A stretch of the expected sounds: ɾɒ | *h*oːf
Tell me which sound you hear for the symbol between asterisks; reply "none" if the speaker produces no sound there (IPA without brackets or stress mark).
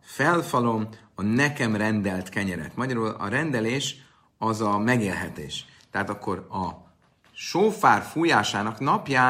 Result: ʃ